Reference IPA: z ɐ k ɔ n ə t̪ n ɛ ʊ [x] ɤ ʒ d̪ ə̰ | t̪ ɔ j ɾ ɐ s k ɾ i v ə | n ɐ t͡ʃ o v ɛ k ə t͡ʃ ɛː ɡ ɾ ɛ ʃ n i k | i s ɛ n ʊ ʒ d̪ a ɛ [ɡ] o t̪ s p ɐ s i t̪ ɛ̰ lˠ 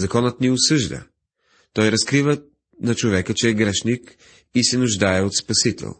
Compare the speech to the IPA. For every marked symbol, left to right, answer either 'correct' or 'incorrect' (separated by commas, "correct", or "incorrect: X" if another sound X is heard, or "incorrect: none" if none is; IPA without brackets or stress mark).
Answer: incorrect: s, incorrect: none